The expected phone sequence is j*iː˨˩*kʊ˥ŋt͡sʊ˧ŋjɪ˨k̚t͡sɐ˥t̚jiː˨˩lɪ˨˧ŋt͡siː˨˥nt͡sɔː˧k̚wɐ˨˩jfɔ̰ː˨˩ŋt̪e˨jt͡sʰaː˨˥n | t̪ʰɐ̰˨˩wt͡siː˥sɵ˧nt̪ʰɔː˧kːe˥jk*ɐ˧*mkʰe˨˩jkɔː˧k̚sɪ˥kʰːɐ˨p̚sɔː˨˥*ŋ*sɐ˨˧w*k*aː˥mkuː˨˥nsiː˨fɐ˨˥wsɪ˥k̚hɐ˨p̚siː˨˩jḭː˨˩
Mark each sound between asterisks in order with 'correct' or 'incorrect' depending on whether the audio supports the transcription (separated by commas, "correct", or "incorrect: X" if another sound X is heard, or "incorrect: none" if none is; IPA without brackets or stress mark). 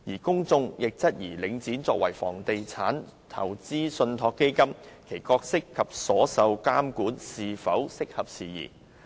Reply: correct, incorrect: ɐ˥, incorrect: none, correct